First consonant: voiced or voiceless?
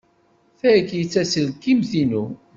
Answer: voiceless